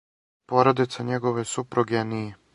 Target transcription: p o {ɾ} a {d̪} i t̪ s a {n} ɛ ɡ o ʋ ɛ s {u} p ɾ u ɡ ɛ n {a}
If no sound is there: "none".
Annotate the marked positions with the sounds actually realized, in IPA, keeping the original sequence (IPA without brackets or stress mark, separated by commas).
ɾ, d̪, ɲ, u, i